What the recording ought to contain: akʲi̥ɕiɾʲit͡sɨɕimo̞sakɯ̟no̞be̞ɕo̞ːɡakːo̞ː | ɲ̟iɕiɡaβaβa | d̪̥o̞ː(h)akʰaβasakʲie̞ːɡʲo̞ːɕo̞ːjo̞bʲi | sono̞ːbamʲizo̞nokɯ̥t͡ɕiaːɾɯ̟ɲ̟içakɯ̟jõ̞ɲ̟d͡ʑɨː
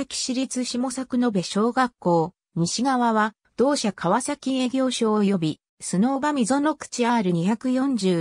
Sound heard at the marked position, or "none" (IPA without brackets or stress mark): ɕ